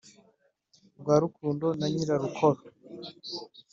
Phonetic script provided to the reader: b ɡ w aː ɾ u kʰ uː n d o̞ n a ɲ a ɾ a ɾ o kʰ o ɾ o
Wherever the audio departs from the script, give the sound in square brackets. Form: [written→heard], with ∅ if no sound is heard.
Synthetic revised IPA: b ɡ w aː ɾ u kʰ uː n d o̞ n a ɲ [a→i] ɾ a ɾ [o→u] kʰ o ɾ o